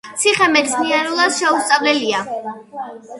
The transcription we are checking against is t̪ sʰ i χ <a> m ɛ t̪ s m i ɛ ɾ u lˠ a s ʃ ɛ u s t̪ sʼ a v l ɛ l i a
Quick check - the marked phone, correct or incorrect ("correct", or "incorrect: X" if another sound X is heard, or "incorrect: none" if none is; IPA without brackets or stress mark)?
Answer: incorrect: ɛ